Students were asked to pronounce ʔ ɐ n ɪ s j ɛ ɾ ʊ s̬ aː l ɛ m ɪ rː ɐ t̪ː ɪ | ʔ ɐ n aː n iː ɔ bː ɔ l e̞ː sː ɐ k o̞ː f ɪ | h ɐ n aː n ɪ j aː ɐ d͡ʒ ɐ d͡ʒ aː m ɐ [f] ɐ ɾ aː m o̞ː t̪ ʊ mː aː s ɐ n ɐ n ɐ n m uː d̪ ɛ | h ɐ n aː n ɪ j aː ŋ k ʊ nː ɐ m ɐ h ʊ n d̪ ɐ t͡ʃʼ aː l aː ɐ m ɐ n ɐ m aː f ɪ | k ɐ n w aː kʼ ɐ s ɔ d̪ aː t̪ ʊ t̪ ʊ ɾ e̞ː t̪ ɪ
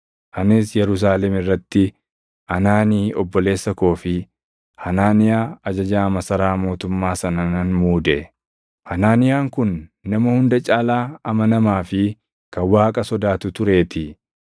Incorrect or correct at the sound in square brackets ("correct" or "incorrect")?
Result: incorrect